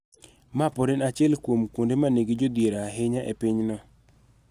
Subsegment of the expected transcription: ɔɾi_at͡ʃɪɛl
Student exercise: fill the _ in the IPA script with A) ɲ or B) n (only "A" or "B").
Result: B